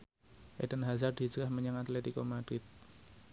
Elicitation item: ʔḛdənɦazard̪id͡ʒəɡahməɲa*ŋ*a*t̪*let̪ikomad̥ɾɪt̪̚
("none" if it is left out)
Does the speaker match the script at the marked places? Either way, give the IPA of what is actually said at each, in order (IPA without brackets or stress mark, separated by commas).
ŋ, t̪